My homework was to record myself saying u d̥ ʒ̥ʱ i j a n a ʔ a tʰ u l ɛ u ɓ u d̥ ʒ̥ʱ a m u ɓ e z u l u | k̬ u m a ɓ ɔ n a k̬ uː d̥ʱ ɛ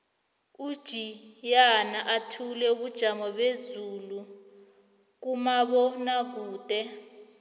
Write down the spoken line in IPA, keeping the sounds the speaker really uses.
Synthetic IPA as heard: u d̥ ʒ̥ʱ i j a n a ʔ a tʰ u l ɛ u ɓ u d̥ ʒ̥ʱ a m ɔ ɓ e z u l u | k̬ u m a ɓ ɔ n a k̬ uː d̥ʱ ɛ